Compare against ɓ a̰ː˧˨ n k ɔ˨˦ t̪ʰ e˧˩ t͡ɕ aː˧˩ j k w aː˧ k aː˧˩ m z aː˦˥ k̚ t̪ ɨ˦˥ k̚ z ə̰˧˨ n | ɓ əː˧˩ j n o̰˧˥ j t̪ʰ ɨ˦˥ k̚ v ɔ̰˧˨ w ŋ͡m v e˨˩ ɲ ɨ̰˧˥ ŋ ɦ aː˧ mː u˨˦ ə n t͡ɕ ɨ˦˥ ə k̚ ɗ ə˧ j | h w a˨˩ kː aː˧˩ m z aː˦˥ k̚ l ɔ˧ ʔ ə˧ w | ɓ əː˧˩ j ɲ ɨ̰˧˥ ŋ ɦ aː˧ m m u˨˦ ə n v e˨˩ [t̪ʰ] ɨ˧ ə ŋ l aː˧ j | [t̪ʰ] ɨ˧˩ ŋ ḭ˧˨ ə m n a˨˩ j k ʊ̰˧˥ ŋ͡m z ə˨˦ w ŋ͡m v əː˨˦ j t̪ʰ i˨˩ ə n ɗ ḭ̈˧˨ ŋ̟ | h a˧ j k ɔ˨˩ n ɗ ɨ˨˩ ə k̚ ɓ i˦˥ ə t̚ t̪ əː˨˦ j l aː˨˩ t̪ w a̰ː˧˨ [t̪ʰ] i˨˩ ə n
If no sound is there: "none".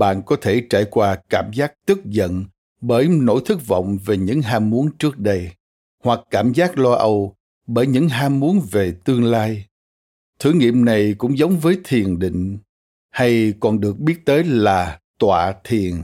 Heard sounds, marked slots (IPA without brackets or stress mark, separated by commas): t̪, t̪ʰ, t̪ʰ